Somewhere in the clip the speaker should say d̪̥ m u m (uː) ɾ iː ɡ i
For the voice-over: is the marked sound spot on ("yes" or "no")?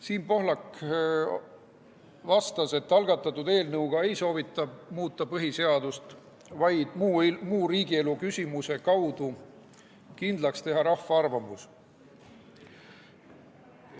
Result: yes